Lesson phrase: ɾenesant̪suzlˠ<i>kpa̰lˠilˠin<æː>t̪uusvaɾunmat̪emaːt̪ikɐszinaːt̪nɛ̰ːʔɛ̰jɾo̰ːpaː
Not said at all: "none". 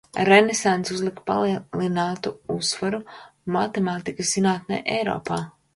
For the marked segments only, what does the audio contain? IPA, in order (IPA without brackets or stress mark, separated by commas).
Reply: i, aː